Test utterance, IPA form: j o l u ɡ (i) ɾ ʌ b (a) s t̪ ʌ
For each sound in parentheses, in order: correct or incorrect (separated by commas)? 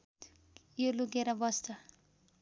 incorrect, incorrect